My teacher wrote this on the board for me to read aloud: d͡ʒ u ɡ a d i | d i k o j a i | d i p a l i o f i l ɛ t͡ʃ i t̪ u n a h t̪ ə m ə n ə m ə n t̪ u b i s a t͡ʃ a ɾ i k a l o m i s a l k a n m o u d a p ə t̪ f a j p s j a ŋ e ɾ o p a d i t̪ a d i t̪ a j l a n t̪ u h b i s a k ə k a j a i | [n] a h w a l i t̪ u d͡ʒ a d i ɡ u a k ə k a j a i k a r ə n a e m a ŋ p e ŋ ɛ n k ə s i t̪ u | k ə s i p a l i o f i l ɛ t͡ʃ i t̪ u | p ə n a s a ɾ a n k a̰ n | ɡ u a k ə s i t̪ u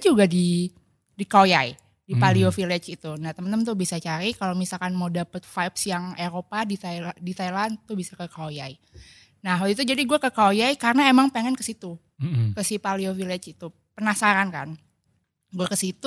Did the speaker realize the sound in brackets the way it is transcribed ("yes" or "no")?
yes